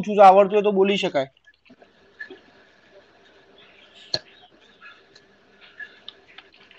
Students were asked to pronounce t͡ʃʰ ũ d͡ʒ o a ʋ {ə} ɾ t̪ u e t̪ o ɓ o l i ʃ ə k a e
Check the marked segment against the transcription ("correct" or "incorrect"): correct